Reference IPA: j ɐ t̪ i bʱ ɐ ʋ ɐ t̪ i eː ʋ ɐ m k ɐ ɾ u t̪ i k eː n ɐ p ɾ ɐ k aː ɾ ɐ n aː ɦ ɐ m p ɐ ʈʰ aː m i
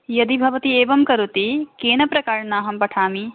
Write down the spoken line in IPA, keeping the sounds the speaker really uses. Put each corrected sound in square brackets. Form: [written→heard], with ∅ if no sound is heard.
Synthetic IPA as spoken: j ɐ [t̪→d̪] i bʱ ɐ ʋ ɐ t̪ i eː ʋ ɐ m k ɐ ɾ u t̪ i k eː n ɐ p ɾ ɐ k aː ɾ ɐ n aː ɦ ɐ m p ɐ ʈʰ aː m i

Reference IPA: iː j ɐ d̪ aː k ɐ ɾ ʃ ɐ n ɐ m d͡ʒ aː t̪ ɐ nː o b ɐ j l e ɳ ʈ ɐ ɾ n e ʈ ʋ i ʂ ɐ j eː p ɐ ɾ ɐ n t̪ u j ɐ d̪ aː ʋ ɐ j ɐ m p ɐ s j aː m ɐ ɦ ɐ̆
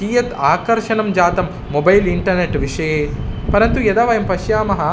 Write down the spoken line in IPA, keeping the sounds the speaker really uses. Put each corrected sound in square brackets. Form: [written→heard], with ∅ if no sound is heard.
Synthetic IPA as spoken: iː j ɐ [d̪→t̪] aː k ɐ ɾ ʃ ɐ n ɐ m d͡ʒ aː t̪ ɐ [nː→mː] o b ɐ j l [e→i] ɳ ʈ ɐ ɾ n e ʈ ʋ i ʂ ɐ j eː p ɐ ɾ ɐ n t̪ u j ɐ d̪ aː ʋ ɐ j ɐ m p ɐ [s→ʃ] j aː m ɐ ɦ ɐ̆

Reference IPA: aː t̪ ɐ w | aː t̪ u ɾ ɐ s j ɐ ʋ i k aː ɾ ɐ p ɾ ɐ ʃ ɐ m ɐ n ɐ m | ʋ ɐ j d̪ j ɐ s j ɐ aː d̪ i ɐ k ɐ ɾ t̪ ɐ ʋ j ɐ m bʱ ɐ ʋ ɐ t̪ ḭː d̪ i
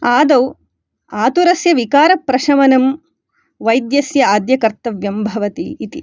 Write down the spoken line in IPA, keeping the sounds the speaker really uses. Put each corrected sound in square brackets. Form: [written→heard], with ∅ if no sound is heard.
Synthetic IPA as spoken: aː [t̪→d̪] ɐ w | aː t̪ u ɾ ɐ s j ɐ ʋ i k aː ɾ ɐ p ɾ ɐ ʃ ɐ m ɐ n ɐ m | ʋ ɐ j d̪ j ɐ s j ɐ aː d̪ [i→j] ɐ k ɐ ɾ t̪ ɐ ʋ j ɐ m bʱ ɐ ʋ ɐ t̪ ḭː [d̪→t̪] i

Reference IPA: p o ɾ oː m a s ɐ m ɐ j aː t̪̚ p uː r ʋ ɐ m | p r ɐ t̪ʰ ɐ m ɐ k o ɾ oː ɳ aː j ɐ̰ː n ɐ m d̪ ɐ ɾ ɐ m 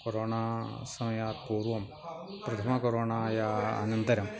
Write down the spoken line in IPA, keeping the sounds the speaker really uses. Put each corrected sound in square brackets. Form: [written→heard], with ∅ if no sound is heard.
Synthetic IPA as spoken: [p→k] o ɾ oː [m→ɳ] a s ɐ m ɐ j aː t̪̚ p uː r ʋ ɐ m | p r ɐ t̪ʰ ɐ m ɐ k o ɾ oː ɳ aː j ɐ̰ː n ɐ [m→n] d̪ ɐ ɾ ɐ m

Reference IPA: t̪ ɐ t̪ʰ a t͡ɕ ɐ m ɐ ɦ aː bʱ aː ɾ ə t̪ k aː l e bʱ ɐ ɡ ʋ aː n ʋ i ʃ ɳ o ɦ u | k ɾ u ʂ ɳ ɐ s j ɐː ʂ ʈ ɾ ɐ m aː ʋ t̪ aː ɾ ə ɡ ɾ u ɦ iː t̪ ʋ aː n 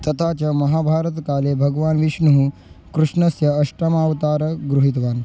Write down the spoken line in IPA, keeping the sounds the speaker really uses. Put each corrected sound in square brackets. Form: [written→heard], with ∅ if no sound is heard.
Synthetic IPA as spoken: t̪ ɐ t̪ʰ a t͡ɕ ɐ m ɐ ɦ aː bʱ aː ɾ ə t̪ k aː l e bʱ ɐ ɡ ʋ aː n ʋ i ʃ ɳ [o→u] ɦ u | k ɾ u ʂ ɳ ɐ s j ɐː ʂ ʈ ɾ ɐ m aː ʋ t̪ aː ɾ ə ɡ ɾ u ɦ [iː→i] t̪ ʋ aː n

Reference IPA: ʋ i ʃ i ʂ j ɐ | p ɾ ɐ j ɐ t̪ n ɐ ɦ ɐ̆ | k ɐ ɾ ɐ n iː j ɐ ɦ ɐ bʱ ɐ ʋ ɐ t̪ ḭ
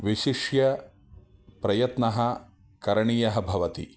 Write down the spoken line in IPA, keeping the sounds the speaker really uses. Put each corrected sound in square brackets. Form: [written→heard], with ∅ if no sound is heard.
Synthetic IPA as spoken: ʋ i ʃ i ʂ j ɐ | p ɾ ɐ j ɐ t̪ n ɐ ɦ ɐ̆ | k ɐ ɾ ɐ [n→ɳ] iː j ɐ ɦ ɐ bʱ ɐ ʋ ɐ t̪ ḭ

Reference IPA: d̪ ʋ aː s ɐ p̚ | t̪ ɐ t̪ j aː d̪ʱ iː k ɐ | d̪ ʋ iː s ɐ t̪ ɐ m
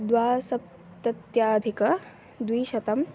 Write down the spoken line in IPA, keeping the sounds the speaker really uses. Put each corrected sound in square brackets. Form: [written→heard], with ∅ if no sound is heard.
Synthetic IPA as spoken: d̪ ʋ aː s ɐ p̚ | t̪ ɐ t̪ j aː d̪ʱ [iː→i] k ɐ | d̪ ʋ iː [s→ʃ] ɐ t̪ ɐ m

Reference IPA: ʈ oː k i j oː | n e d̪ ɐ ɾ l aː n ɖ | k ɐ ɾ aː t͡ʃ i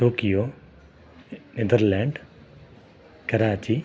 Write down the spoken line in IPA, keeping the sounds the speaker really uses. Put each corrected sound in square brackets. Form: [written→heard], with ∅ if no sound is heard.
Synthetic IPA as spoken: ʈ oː k i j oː | n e d̪ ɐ ɾ l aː [n→ɳ] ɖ | k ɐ ɾ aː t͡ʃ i

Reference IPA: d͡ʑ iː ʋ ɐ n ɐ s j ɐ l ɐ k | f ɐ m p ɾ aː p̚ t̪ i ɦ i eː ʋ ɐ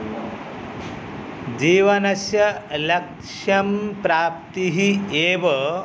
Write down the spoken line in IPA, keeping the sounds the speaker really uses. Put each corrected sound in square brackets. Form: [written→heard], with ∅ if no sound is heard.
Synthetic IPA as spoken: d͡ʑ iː ʋ ɐ n ɐ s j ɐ l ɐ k | [f→ʂ] ɐ m p ɾ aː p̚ t̪ i ɦ i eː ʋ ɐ

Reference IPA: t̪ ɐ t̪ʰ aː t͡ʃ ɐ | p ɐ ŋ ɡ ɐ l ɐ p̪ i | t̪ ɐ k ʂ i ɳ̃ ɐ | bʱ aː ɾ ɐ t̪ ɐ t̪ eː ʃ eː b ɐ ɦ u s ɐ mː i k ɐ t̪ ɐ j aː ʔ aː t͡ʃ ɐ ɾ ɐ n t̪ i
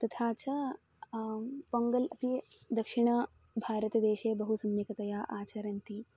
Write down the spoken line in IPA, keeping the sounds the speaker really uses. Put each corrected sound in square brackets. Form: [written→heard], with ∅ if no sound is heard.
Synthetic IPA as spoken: t̪ ɐ t̪ʰ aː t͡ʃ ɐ | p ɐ ŋ ɡ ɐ l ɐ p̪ i | [t̪→d̪] ɐ k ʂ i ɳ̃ ɐ | bʱ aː ɾ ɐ t̪ ɐ [t̪→d̪] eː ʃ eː b ɐ ɦ u s ɐ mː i k ɐ t̪ ɐ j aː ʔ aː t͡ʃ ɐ ɾ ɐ n t̪ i

